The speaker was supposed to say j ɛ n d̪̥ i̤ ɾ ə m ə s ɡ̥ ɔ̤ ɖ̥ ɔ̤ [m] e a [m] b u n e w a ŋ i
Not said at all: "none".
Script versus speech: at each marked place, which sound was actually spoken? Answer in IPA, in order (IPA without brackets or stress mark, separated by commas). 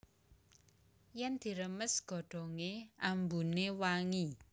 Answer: ŋ, m